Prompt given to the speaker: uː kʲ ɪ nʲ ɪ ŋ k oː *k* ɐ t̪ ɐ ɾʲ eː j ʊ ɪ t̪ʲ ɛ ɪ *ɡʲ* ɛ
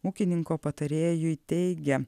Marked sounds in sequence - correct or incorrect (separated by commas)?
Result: incorrect, correct